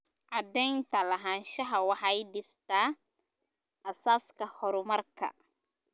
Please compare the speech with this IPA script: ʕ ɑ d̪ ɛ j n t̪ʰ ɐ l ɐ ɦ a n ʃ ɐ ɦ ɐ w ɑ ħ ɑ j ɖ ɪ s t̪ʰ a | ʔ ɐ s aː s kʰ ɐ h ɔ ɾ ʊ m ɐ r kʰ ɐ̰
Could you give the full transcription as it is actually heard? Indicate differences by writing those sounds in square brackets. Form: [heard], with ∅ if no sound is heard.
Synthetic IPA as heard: ʕ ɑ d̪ ɛ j n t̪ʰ ɐ l ɐ ɦ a n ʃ ɐ ɦ ɐ w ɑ ħ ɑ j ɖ ɪ s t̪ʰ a | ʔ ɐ s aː s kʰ ɐ h ɔ ɾ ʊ m ɐ r kʰ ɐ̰

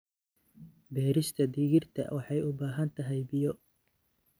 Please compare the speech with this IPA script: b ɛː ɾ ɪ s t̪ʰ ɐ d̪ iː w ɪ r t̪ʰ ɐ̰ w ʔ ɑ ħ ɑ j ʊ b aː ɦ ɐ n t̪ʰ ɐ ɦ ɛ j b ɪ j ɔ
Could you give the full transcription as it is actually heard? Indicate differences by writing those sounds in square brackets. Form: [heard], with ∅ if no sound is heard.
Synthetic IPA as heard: b ɛː ɾ ɪ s t̪ʰ ɐ d̪ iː [ɣ] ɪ r t̪ʰ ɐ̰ w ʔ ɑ ħ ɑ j ʊ b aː ɦ ɐ n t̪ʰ ɐ ɦ ɛ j b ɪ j ɔ

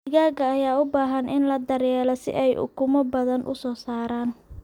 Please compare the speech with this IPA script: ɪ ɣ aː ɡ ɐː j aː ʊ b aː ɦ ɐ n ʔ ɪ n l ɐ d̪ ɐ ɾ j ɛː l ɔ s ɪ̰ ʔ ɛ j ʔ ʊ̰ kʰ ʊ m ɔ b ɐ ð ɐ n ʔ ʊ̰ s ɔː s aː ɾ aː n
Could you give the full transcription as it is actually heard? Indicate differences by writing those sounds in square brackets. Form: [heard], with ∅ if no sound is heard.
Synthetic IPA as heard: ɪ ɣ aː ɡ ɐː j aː ʊ b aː ɦ ɐ n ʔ ɪ n l ɐ d̪ ɐ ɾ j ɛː l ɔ s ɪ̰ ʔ ɛ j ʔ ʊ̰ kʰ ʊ m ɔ b ɐ ð ɐ n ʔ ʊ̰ s ɔː s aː ɾ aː n

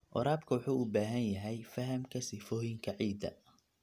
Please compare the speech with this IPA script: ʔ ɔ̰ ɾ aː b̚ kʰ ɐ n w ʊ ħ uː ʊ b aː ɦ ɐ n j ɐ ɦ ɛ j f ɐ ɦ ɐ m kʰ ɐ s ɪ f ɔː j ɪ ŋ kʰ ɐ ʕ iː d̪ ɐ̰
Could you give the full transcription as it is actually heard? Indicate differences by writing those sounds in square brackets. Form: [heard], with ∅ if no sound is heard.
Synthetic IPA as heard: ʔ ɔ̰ ɾ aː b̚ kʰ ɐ [∅] w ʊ ħ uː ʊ b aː ɦ ɐ n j ɐ ɦ ɛ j f ɐ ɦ ɐ m kʰ ɐ s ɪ f ɔː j ɪ ŋ kʰ ɐ ʕ iː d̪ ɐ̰

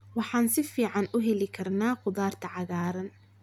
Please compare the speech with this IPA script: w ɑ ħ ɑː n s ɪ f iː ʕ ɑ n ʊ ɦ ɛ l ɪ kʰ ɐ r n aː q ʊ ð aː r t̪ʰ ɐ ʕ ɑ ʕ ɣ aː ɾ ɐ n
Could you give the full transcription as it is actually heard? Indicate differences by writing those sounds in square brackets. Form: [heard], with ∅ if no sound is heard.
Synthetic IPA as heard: w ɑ ħ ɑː n s ɪ f iː ʕ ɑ n ʊ ɦ ɛ l ɪ kʰ ɐ r n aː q ʊ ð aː r t̪ʰ ɐ ʕ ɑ [∅] ɣ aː ɾ ɐ n

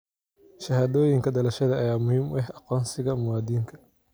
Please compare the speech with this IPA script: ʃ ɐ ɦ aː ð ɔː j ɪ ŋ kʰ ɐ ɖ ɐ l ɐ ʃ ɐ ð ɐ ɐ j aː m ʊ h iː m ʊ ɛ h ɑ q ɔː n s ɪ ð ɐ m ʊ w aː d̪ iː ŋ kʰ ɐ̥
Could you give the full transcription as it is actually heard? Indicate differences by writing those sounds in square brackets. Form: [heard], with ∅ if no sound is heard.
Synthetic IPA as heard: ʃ ɐ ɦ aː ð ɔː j ɪ ŋ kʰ ɐ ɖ ɐ l ɐ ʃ ɐ ð ɐ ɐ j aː m ʊ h iː m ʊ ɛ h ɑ q ɔː n s ɪ [ɣ] ɐ m ʊ w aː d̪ iː ŋ kʰ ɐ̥

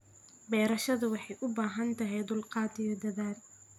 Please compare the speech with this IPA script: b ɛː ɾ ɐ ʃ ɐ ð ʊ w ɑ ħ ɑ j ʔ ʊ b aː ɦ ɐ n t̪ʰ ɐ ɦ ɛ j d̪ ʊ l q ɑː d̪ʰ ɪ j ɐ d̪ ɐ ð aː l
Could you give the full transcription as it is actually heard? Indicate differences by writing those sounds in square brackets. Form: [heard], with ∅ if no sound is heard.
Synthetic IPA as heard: b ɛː ɾ ɐ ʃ ɐ ð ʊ w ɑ ħ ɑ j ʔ ʊ b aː ɦ ɐ n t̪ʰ ɐ ɦ ɛ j d̪ ʊ l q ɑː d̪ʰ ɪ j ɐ d̪ ɐ ð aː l

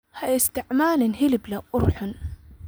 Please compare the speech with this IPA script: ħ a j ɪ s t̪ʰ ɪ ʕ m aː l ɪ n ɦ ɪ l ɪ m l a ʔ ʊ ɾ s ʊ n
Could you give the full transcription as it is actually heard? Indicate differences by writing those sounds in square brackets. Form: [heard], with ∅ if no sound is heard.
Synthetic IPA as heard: [h] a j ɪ s [t̪] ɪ ʕ m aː l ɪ n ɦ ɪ l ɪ [b] l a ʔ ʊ ɾ [ħ] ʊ n

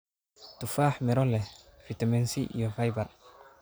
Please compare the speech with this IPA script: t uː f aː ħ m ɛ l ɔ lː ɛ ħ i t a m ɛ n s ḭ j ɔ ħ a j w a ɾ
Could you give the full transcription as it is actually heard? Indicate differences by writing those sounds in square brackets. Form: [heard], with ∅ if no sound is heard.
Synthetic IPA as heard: t [u] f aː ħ m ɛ [ɾ] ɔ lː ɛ [f] i t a m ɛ n s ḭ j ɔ [f] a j [b] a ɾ

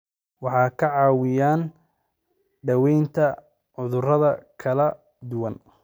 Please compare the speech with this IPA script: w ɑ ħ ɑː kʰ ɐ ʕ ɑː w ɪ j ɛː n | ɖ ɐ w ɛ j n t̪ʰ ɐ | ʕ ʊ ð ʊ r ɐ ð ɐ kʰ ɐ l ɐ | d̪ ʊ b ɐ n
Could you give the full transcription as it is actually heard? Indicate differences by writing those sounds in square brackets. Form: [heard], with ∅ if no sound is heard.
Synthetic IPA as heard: w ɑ ħ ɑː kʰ ɐ ʕ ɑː w ɪ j [aː] n | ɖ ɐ w ɛ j n t̪ʰ ɐ | ʕ ʊ ð ʊ r ɐ ð ɐ kʰ ɐ l ɐ | d̪ ʊ [w] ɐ n

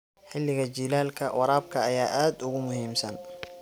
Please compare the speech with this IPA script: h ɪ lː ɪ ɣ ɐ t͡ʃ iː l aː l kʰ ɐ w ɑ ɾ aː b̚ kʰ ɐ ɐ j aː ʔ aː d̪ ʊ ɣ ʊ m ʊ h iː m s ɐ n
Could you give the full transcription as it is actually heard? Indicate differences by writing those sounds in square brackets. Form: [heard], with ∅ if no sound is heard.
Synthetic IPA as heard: [ħ] ɪ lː ɪ ɣ ɐ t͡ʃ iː l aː l kʰ ɐ w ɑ ɾ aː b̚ kʰ ɐ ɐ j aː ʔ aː d̪ ʊ ɣ ʊ m ʊ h iː m s ɐ n

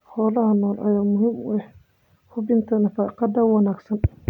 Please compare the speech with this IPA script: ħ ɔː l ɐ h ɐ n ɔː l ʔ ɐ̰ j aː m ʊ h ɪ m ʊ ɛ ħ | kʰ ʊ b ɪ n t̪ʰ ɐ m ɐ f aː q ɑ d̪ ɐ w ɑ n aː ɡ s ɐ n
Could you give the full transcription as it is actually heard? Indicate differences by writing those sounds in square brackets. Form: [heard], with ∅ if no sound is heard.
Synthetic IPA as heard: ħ ɔː l ɐ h ɐ n ɔː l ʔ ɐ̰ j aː m ʊ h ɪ m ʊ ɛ ħ | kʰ ʊ b ɪ n t̪ʰ ɐ [n] ɐ f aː q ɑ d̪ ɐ w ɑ n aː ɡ s ɐ n

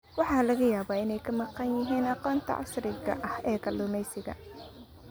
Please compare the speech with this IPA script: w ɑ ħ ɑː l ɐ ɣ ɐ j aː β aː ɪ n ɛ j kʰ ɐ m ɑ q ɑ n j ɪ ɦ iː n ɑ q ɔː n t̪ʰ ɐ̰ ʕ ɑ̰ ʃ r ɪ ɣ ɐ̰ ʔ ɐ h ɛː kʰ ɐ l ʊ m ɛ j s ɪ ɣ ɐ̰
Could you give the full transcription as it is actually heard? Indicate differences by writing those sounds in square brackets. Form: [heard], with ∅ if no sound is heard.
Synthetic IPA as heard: w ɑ ħ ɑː l ɐ ɣ ɐ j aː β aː ɪ n ɛ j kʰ ɐ m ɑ q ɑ n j ɪ ɦ iː n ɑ q ɔː n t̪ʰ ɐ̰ ʕ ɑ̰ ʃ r ɪ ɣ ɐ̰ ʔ ɐ h ɛː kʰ ɐ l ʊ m ɛ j s ɪ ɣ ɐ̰

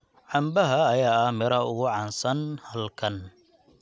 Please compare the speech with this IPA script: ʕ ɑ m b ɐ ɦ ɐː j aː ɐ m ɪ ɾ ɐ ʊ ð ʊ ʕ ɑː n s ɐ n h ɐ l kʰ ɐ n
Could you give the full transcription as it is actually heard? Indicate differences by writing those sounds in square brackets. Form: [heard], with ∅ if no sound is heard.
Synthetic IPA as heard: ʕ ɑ m b ɐ ɦ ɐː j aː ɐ m ɪ ɾ ɐ ʊ [ɣ] ʊ ʕ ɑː n s ɐ n h ɐ l kʰ ɐ n

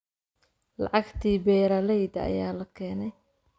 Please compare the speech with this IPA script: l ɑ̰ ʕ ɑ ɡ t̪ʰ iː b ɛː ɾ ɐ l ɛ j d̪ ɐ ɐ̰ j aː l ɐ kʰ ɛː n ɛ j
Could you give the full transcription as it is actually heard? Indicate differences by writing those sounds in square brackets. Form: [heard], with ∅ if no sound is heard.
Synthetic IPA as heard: l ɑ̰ ʕ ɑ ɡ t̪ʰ iː b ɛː ɾ ɐ l ɛ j d̪ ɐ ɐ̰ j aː l ɐ kʰ ɛː n ɛ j

